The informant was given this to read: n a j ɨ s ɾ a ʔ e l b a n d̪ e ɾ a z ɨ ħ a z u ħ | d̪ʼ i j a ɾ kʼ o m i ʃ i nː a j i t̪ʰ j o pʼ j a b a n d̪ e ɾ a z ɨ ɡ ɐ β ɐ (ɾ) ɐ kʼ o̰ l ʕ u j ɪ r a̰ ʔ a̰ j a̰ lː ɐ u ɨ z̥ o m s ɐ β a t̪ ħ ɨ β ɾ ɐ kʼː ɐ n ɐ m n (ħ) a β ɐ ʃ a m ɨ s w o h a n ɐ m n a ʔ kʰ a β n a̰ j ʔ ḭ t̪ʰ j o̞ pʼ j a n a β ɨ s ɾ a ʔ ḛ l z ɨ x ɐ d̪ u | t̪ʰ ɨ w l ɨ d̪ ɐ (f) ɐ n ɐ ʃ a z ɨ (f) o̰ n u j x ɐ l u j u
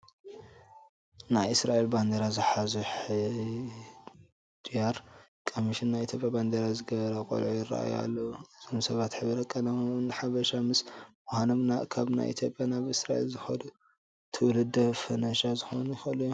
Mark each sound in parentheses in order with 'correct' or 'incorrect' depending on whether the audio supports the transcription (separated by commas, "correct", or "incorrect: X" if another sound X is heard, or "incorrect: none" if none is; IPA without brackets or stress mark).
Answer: correct, correct, correct, incorrect: x